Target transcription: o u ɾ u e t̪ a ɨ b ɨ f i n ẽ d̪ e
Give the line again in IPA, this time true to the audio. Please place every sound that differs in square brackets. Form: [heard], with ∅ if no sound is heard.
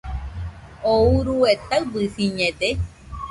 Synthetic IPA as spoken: o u ɾ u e t̪ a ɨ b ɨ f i [ɲ] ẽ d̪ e